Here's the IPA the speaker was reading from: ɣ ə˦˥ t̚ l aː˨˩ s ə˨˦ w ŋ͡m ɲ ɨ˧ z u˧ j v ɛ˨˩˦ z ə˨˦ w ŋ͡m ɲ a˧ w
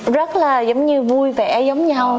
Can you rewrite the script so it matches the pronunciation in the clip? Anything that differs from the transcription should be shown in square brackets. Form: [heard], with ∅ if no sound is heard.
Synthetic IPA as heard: [z] ə˦˥ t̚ l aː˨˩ [z] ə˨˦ w ŋ͡m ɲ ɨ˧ [v] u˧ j v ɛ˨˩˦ z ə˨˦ w ŋ͡m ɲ a˧ w